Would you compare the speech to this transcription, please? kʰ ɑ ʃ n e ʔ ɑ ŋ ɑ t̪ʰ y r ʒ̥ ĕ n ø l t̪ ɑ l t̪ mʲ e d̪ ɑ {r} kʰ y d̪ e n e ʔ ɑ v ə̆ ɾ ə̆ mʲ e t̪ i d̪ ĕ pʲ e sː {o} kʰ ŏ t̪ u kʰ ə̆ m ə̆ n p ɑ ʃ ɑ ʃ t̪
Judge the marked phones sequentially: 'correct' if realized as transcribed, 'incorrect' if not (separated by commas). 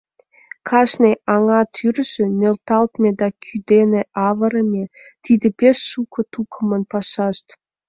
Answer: incorrect, incorrect